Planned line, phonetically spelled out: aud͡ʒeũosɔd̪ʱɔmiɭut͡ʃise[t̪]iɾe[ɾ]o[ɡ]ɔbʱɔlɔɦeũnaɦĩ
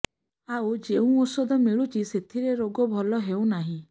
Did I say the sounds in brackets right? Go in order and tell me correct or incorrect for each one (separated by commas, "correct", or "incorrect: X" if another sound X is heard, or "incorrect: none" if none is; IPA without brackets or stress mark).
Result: incorrect: t̪ʰ, correct, correct